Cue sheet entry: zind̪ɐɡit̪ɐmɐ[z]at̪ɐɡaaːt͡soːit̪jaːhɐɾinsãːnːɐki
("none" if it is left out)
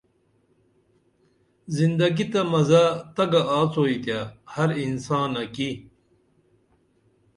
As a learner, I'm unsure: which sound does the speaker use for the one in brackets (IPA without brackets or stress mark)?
z